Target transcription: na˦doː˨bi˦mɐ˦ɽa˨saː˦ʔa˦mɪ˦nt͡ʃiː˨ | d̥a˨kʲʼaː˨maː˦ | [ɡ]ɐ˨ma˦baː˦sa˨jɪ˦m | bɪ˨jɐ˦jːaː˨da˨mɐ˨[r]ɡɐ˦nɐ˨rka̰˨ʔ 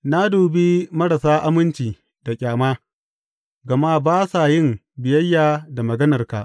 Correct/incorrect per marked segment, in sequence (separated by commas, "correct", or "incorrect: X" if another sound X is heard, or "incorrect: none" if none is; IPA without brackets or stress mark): correct, incorrect: none